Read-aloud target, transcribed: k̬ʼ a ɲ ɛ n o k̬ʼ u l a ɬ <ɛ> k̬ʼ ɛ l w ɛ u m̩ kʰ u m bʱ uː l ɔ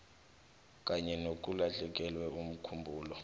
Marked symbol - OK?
yes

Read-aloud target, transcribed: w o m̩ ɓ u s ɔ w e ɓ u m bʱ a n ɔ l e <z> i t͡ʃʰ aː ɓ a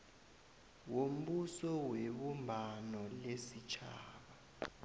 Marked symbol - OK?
no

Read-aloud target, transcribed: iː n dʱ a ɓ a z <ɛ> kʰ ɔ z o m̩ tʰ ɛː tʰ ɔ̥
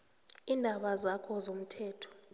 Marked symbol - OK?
no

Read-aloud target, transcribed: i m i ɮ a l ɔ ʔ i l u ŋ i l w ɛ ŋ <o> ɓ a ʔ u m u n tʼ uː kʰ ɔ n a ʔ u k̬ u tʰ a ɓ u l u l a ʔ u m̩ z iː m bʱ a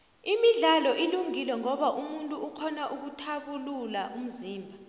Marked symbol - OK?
no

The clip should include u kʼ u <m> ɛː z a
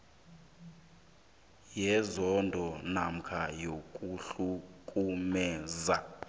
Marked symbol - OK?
yes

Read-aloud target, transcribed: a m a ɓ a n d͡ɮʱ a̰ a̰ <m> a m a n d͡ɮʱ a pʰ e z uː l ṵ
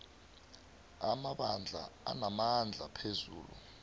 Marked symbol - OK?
no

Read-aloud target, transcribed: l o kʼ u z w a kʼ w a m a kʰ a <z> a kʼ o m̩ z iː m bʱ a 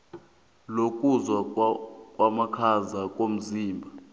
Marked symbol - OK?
yes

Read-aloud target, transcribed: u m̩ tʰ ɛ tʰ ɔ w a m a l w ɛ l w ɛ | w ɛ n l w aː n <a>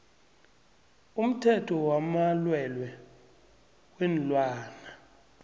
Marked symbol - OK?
yes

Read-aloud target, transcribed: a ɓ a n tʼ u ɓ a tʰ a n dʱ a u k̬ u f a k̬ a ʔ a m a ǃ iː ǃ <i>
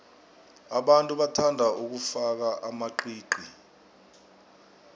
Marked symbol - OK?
yes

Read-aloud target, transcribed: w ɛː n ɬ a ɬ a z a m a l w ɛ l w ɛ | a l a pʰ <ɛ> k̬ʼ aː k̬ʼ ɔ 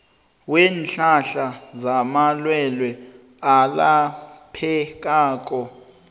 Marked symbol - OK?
yes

